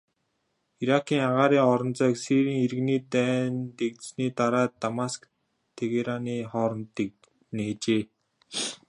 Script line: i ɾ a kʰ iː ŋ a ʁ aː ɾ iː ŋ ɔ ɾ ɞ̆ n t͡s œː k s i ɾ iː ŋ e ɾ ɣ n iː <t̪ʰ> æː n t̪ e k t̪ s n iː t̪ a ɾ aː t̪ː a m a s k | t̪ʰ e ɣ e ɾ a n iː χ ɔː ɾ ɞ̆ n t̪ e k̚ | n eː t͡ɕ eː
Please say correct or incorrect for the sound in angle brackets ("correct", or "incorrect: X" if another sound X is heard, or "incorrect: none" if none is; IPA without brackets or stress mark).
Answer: incorrect: t̪